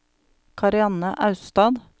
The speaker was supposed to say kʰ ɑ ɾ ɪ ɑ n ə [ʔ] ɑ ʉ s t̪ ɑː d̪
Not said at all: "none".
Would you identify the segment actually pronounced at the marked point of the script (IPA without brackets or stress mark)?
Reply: ʔ